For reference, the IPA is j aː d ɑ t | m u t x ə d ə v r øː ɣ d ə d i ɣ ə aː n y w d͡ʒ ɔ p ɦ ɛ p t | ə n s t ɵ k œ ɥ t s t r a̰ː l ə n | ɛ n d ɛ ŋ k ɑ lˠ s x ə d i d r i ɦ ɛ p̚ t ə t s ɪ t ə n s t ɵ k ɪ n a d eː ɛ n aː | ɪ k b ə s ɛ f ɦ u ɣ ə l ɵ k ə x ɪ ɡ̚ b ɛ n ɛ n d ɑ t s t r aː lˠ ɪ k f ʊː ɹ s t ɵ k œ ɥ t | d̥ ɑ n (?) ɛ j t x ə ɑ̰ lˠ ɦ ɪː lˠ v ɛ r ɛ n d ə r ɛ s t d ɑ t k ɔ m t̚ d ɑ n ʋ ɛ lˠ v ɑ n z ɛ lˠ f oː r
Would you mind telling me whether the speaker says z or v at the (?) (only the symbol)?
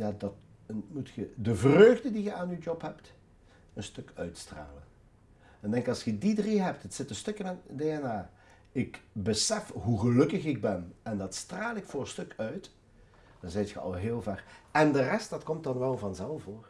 z